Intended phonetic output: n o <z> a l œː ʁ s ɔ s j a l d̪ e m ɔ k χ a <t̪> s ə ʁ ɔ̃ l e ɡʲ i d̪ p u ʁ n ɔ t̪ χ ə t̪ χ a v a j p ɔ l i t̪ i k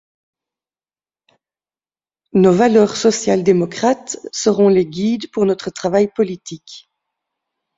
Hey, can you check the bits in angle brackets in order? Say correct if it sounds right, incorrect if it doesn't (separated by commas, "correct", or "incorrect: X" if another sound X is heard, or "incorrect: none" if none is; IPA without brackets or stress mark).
incorrect: v, correct